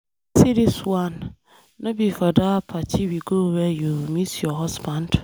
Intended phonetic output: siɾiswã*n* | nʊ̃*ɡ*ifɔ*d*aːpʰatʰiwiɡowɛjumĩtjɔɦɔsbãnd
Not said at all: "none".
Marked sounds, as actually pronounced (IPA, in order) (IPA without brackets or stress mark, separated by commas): n, b, d